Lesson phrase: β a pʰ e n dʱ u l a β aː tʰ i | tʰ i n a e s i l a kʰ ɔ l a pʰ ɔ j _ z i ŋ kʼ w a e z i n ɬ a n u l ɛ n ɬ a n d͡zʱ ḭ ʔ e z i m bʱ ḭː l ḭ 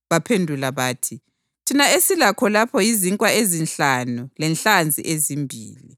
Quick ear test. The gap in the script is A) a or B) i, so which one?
B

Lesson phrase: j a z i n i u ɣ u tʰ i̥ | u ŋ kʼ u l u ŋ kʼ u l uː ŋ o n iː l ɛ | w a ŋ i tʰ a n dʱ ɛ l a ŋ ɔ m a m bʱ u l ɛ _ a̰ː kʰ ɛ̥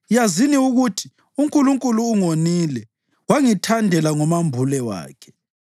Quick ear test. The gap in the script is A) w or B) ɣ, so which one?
A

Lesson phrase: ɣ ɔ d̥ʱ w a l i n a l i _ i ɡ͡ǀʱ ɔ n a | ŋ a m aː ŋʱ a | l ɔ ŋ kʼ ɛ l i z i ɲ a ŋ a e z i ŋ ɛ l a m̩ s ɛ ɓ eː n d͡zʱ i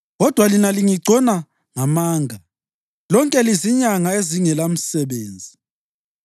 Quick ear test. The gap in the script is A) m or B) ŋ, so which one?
B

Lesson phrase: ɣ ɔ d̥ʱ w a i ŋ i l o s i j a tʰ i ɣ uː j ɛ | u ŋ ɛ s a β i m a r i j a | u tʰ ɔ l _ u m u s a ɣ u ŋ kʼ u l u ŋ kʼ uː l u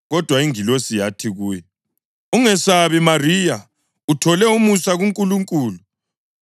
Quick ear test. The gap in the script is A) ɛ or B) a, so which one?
A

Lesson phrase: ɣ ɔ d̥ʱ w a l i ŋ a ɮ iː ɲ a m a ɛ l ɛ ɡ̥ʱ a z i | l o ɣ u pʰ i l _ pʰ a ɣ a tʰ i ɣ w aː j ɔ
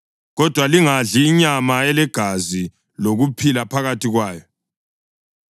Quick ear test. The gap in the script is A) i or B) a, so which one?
B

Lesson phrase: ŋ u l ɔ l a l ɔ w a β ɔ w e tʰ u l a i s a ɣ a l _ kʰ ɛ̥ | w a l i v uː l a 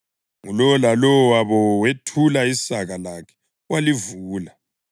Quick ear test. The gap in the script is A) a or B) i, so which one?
A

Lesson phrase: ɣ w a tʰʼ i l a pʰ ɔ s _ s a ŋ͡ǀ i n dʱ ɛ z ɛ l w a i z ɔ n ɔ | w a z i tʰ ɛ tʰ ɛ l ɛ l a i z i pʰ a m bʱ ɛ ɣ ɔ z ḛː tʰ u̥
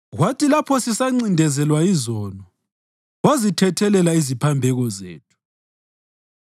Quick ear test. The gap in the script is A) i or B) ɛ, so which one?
A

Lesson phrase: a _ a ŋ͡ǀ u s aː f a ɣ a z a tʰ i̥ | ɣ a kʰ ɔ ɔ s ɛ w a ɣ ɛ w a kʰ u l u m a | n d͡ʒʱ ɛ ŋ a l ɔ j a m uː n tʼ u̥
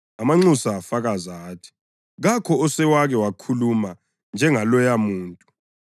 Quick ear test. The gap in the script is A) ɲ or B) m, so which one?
B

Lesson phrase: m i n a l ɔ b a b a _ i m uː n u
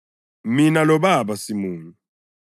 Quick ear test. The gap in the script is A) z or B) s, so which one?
B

